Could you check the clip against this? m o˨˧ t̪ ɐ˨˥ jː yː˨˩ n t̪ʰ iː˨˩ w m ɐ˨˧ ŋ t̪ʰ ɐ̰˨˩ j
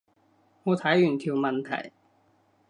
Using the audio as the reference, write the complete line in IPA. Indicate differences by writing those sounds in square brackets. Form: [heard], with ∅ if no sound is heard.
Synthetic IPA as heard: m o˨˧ [t̪ʰ] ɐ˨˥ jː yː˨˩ n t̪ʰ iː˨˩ w m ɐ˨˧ [n] t̪ʰ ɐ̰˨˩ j